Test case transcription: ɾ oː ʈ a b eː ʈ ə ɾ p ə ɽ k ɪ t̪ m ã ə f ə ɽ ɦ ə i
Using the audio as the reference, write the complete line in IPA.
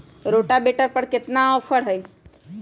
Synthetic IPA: ɾ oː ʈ a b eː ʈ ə ɾ p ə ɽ k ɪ t̪ n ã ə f ə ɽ ɦ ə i